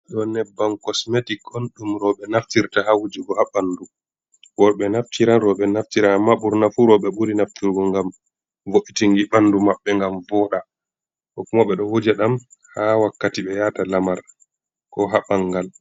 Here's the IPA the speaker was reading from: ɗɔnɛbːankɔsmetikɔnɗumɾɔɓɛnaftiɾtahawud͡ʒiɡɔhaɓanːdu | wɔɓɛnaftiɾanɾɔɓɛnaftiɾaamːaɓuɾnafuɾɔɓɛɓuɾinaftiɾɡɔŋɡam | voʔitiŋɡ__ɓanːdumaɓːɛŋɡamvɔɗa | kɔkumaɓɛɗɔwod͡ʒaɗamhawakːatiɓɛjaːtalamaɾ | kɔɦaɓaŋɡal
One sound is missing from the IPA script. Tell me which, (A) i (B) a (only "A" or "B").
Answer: A